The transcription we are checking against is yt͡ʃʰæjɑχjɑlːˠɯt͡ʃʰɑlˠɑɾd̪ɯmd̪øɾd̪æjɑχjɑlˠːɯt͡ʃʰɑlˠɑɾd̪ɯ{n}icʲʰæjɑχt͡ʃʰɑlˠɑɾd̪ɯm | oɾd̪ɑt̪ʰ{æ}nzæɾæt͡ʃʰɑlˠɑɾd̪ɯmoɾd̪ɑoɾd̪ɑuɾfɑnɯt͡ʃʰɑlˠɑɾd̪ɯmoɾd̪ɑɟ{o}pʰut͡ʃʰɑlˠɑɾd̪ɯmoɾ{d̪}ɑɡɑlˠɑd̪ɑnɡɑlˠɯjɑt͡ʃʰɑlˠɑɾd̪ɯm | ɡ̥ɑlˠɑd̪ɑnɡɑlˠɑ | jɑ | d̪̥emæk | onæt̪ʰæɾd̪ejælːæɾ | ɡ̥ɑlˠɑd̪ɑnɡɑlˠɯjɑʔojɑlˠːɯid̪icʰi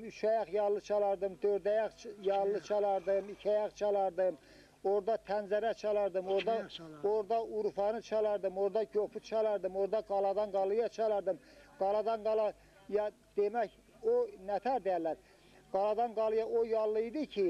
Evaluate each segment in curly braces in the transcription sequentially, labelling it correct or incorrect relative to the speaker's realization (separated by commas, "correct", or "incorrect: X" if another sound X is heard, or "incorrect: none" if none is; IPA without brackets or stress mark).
incorrect: m, correct, correct, correct